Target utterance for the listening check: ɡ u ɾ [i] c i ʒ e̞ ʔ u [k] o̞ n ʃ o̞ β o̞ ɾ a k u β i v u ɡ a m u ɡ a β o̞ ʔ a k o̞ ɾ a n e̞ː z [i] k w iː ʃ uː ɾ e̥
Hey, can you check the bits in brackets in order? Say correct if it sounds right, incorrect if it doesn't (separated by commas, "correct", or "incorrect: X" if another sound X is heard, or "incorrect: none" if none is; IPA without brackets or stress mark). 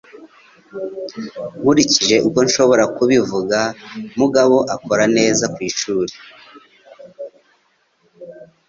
correct, correct, incorrect: a